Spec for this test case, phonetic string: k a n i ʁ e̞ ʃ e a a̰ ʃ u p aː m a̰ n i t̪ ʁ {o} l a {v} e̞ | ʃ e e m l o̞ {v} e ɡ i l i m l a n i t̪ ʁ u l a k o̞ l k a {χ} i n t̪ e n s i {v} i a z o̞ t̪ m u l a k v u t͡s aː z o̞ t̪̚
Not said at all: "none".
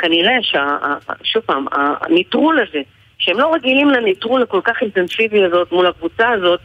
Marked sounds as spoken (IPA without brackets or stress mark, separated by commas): u, z, ʁ, χ, v